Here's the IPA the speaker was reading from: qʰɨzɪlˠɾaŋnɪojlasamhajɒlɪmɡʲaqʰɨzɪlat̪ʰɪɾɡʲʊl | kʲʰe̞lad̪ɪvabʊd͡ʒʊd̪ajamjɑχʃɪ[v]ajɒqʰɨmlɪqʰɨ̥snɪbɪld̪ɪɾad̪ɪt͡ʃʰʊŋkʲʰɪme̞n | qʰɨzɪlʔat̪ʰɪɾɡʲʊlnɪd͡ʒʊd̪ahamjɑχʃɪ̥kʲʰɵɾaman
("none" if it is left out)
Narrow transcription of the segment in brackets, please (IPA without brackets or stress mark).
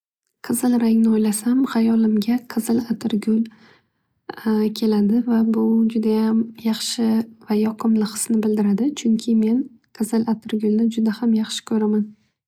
v